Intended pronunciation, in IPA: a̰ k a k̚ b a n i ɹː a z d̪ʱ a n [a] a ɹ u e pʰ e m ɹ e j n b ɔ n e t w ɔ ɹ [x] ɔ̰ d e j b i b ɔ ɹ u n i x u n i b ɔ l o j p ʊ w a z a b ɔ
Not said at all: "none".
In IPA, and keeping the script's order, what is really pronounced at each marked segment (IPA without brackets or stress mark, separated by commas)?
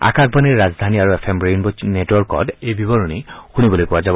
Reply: i, k